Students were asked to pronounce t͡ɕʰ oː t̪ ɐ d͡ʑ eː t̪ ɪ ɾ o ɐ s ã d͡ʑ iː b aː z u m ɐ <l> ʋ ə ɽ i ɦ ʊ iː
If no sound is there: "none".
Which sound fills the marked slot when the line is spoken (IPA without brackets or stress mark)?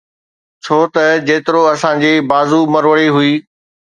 ɾ